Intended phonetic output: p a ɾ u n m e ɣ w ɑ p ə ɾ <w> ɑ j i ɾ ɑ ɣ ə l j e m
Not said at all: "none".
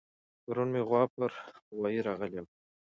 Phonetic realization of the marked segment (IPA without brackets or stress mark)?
w